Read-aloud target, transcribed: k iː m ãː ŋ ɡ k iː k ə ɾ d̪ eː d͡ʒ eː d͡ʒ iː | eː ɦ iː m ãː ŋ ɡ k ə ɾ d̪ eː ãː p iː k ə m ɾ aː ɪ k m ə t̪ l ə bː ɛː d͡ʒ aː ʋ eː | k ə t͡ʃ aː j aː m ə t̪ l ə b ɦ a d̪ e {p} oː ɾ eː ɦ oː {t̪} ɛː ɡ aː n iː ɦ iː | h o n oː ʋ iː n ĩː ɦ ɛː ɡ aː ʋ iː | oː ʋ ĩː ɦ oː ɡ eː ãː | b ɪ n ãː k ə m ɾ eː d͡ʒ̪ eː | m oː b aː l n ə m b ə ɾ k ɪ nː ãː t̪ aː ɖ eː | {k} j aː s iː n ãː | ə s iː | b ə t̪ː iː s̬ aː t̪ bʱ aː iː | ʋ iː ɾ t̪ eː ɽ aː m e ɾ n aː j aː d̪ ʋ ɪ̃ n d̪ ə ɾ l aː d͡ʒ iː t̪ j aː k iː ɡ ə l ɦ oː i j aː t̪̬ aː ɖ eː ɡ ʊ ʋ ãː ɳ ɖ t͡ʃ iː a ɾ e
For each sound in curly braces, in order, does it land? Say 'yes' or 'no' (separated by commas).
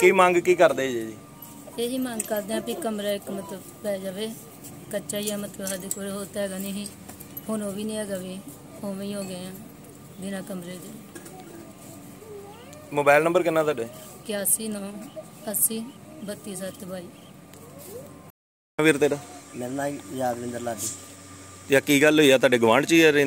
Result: no, yes, yes